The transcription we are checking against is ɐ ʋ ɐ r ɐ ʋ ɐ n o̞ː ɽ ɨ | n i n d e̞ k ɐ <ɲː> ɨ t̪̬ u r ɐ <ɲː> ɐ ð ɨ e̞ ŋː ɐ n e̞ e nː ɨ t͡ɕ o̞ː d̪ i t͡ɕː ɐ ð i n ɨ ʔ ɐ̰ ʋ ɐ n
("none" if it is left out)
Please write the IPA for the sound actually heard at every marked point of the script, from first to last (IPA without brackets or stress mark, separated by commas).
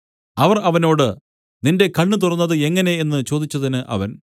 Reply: ɳː, nː